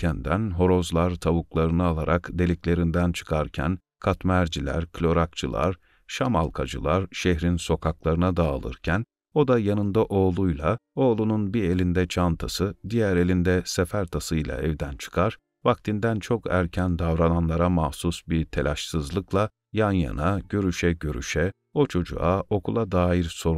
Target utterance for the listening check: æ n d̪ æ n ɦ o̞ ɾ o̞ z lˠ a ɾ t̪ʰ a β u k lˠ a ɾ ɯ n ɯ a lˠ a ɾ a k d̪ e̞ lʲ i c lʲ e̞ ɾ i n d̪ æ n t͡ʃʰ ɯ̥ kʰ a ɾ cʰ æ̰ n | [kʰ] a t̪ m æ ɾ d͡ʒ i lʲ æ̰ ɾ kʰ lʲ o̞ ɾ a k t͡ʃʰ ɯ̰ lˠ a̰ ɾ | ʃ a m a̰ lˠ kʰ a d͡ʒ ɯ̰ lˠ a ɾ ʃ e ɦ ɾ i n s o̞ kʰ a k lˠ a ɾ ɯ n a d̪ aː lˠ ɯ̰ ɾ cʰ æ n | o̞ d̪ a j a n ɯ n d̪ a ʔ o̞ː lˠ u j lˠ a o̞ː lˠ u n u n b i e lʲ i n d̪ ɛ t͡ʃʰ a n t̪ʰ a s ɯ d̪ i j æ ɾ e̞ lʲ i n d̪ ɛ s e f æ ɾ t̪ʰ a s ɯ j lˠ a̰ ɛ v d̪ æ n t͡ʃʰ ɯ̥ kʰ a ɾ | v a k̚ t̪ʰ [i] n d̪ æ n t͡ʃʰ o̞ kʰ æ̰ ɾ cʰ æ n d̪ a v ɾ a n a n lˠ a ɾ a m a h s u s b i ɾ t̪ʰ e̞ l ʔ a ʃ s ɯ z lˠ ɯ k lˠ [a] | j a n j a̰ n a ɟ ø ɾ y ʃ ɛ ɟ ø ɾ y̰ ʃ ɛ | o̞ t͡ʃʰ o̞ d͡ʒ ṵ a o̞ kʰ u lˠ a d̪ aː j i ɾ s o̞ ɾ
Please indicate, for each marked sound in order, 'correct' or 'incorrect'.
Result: correct, correct, correct

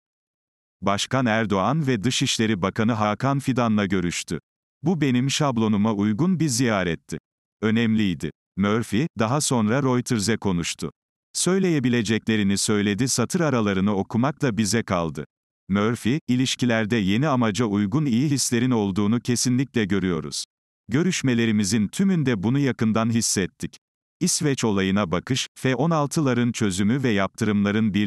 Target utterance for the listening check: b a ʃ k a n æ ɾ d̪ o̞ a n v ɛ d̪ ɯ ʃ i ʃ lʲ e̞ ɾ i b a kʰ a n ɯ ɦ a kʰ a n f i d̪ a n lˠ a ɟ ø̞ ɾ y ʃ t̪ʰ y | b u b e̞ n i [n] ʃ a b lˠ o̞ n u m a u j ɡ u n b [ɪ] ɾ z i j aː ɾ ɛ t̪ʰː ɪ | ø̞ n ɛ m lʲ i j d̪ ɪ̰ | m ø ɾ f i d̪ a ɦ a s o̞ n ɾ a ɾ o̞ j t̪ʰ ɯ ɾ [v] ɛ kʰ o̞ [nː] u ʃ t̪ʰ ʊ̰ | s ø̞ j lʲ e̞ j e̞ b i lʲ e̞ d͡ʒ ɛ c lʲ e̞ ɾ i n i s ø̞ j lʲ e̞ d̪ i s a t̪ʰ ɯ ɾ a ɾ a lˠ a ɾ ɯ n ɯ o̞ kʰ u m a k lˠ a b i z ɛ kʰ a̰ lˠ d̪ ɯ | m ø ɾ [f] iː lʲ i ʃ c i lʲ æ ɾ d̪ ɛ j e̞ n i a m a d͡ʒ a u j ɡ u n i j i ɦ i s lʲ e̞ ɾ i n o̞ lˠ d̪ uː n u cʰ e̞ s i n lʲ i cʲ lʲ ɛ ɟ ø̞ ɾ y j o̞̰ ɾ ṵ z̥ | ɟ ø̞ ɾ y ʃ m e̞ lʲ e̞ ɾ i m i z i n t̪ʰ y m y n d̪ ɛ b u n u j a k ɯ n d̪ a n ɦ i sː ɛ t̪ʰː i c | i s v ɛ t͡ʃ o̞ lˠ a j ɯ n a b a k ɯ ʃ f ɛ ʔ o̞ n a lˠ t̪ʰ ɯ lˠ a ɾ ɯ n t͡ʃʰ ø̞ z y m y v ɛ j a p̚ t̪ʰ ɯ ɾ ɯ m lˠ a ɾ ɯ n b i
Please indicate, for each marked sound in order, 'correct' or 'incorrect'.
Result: incorrect, incorrect, incorrect, incorrect, correct

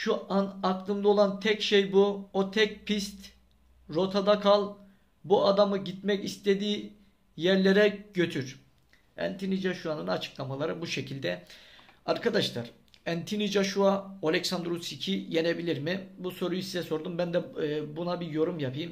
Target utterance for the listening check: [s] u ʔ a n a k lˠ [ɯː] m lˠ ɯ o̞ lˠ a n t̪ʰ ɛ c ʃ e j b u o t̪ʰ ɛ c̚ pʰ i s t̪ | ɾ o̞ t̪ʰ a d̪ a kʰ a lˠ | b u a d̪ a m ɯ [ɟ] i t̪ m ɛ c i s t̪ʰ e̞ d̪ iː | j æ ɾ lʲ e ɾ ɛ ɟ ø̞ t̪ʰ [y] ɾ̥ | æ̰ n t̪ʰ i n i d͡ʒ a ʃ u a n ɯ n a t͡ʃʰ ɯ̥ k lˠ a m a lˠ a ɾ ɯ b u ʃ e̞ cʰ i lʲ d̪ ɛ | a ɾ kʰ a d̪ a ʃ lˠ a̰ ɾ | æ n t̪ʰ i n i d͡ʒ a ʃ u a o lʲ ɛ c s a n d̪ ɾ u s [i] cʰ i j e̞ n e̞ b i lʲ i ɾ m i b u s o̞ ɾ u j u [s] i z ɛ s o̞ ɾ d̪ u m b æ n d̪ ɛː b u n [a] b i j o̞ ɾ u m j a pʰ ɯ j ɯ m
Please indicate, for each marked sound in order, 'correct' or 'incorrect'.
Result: incorrect, incorrect, correct, correct, correct, correct, correct

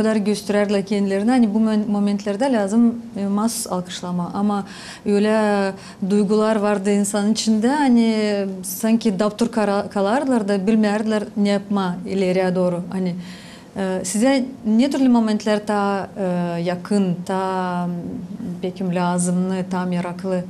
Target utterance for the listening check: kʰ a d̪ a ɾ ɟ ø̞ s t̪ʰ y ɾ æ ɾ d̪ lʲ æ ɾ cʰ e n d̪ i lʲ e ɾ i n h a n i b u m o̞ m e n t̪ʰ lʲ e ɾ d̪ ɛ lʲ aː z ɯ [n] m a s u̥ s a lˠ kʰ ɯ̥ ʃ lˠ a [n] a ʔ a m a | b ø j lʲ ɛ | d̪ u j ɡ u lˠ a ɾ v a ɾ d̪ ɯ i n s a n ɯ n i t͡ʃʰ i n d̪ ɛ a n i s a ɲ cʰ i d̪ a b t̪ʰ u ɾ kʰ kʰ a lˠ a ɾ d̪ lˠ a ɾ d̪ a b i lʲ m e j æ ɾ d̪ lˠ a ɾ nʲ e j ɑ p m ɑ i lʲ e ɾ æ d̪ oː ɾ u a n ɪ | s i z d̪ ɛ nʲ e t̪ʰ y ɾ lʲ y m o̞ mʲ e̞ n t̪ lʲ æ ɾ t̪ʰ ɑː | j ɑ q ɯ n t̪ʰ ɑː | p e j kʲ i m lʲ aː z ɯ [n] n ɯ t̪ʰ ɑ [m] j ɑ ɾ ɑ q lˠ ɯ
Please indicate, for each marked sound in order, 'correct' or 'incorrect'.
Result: incorrect, incorrect, incorrect, correct

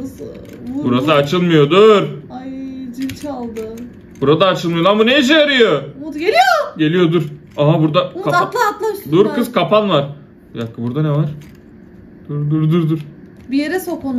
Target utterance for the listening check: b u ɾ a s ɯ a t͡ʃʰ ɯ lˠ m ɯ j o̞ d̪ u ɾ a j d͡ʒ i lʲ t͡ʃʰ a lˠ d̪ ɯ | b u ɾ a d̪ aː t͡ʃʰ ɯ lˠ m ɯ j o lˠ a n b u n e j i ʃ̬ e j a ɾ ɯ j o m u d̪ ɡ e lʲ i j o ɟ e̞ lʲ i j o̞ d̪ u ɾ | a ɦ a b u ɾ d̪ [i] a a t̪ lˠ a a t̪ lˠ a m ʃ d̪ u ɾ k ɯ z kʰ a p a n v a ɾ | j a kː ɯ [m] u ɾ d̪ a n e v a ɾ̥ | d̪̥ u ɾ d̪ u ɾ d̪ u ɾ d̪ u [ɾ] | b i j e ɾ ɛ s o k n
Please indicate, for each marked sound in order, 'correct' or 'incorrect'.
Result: incorrect, incorrect, correct

